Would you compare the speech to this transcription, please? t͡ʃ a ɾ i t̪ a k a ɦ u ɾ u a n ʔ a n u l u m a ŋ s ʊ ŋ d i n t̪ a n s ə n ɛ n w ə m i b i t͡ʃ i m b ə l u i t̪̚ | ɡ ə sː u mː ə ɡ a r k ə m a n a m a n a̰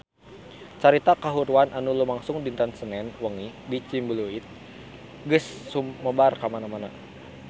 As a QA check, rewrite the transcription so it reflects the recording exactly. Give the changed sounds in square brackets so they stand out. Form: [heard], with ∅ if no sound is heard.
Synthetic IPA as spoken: t͡ʃ a ɾ i t̪ a k a ɦ u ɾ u a n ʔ a n u l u m a ŋ s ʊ ŋ d i n t̪ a n s ə n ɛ n w ə [ŋ] i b i t͡ʃ i m b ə l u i t̪̚ | ɡ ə sː u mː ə [b] a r k [a] m a n a m a n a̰